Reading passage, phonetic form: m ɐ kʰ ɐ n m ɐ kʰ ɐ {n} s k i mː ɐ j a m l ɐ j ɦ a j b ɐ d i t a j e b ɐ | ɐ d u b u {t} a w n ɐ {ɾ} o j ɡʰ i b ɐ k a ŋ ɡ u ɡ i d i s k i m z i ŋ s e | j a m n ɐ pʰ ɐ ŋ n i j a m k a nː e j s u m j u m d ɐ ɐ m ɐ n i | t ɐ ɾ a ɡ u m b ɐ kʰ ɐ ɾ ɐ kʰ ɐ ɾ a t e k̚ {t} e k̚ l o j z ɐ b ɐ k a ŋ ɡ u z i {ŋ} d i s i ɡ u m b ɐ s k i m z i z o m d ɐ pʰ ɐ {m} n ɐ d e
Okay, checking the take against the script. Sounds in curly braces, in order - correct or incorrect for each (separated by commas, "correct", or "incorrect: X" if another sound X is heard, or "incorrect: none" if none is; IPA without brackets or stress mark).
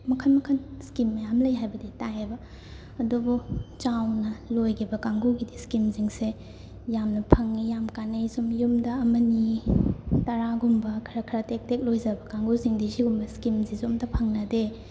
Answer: correct, incorrect: t͡ʃ, incorrect: l, correct, correct, incorrect: ŋ